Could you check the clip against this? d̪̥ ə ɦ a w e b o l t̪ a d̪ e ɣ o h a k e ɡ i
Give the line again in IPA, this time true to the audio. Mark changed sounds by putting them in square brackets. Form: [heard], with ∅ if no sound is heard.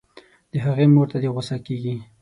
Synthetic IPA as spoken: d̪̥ ə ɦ a [ɣ] e [m] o [ɾ] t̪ a d̪ e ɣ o [s] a k e ɡ i